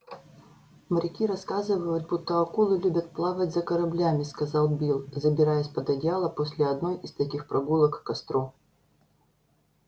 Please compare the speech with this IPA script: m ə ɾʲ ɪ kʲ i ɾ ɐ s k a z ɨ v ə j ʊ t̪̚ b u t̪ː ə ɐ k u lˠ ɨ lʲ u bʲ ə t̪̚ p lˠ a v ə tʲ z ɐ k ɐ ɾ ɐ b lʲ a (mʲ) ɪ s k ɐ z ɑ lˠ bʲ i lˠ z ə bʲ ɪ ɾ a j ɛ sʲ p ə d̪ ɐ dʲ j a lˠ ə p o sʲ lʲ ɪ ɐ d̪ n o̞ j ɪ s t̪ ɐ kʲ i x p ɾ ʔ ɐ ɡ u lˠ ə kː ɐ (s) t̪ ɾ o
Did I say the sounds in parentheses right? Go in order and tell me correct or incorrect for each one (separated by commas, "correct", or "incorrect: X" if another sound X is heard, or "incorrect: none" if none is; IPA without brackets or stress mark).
correct, correct